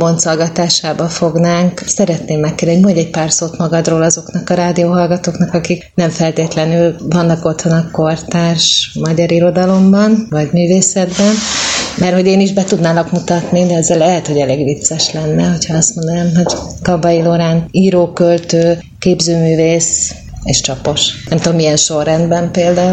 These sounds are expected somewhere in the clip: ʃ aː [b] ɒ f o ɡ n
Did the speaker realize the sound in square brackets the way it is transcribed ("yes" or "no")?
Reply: yes